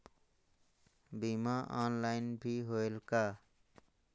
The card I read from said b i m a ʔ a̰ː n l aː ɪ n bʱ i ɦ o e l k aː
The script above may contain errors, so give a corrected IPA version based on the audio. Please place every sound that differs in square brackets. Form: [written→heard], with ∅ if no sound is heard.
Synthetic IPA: b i m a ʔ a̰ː n l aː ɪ n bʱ i ɦ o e l k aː